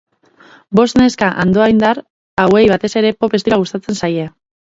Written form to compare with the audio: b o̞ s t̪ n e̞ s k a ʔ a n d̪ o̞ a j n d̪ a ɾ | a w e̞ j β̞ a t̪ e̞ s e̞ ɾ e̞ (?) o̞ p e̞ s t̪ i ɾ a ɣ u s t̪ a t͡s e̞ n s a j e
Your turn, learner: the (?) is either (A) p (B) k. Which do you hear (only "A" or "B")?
A